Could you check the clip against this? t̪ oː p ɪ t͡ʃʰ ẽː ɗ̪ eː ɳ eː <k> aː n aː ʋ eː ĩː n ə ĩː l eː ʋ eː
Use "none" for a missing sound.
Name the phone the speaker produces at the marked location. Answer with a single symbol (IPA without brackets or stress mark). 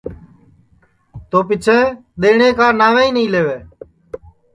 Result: k